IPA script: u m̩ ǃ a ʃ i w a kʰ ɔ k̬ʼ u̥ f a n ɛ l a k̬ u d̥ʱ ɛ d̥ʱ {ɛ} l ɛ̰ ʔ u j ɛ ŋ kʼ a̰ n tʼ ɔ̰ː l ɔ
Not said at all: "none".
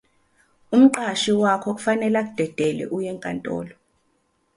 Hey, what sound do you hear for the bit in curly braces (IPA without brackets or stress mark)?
ɛ